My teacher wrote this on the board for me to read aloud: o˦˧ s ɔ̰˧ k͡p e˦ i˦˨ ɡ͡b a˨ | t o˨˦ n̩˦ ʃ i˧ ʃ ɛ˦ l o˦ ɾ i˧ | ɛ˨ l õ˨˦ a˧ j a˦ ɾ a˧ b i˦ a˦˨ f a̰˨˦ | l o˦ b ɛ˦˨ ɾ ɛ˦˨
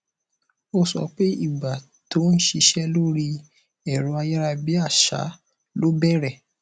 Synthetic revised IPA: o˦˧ s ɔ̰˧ k͡p e˦ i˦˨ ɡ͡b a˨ | t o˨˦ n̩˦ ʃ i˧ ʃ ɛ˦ l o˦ ɾ i˧ | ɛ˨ ɾ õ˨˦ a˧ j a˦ ɾ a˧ b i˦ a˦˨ ʃ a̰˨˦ | l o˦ b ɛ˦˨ ɾ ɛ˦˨